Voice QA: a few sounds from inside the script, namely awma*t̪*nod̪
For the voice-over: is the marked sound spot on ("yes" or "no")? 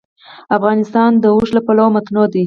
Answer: yes